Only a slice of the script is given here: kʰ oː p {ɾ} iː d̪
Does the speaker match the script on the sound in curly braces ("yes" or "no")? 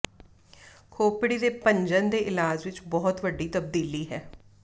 no